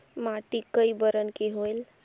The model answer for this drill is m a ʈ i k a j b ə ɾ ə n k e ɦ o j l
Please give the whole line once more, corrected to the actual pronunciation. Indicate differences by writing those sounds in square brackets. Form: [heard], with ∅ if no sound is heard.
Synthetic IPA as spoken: m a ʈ i k [ə] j b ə ɾ ə n k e ɦ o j l

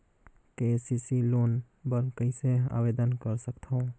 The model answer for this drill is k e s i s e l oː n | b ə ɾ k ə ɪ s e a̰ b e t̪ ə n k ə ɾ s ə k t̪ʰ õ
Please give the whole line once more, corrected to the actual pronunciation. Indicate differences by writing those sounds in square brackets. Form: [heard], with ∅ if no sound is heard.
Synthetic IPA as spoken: k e s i s [i] l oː n | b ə ɾ k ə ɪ s e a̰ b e [d̪] ə n k ə ɾ s ə k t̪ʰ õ

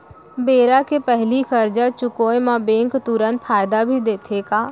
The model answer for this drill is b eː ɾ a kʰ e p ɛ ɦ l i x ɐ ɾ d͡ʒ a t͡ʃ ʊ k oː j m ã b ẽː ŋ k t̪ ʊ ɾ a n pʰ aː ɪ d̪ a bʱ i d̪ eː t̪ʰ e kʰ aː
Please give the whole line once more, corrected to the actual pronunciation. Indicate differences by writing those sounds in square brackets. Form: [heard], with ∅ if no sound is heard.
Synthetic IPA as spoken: b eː ɾ a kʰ e p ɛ ɦ l i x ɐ ɾ d͡ʒ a t͡ʃ ʊ k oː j m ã b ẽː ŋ k t̪ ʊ ɾ [ə] n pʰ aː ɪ d̪ a bʱ i d̪ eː t̪ʰ e [k] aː

